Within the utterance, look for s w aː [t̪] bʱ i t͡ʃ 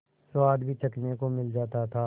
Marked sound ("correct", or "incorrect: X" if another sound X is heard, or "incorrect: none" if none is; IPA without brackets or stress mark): incorrect: d̪